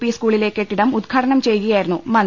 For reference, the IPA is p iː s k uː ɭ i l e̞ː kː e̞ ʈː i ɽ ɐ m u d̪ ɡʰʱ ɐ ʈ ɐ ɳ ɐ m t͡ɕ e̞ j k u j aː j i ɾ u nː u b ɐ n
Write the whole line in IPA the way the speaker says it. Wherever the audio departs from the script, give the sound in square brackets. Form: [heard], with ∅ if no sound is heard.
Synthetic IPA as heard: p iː s k uː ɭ i l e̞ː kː e̞ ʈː i ɽ ɐ m u d̪ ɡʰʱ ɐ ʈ ɐ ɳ ɐ m t͡ɕ e̞ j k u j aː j i ɾ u nː u [m] ɐ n